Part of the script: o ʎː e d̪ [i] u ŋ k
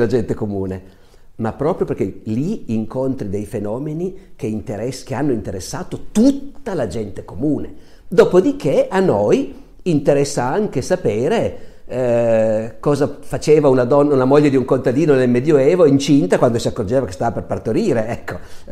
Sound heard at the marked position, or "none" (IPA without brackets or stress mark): i